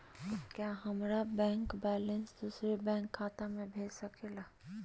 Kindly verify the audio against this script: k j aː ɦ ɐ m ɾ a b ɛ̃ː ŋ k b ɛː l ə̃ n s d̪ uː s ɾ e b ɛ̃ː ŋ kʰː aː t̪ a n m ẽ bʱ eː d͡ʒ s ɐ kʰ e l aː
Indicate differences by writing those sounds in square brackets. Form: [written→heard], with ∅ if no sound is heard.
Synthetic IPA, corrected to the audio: k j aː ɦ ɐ m ɾ a b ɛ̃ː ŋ k b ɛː l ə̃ n s d̪ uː s ɾ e b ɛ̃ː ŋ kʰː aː t̪ a [n→∅] m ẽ bʱ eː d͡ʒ s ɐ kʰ e l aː